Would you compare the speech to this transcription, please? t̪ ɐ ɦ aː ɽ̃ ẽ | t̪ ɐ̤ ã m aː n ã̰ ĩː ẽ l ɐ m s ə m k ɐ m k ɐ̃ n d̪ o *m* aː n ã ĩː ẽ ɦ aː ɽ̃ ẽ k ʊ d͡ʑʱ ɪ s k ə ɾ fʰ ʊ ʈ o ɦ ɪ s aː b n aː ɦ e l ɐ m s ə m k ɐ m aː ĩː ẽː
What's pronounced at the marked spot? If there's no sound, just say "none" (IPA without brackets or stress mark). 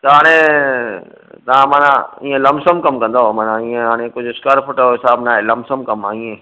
m